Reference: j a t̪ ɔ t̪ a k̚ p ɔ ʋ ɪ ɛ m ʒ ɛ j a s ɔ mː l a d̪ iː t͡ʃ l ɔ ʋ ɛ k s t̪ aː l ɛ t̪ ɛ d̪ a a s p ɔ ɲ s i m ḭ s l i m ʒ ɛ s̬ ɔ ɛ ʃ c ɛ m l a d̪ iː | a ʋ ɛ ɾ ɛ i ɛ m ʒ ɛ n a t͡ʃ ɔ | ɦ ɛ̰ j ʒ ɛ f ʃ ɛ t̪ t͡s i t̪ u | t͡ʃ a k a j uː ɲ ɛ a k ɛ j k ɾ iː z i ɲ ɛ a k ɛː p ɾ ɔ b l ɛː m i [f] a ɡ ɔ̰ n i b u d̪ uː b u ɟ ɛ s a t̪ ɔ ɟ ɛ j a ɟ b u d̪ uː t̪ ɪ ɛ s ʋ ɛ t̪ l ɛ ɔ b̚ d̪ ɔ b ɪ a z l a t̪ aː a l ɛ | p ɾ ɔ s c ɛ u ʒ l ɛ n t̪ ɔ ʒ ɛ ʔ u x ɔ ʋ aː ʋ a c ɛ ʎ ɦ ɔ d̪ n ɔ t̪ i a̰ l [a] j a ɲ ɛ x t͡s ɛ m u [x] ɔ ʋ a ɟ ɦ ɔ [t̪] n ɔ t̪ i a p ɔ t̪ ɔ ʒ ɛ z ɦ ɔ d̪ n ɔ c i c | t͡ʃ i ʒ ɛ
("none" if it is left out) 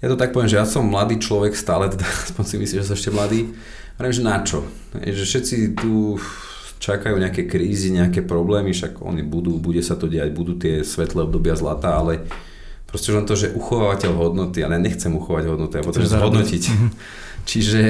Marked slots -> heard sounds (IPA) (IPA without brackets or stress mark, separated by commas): ʃ, ɛ, x, d̪